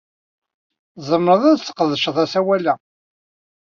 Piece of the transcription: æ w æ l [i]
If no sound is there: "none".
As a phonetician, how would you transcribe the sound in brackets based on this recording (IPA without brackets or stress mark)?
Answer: æ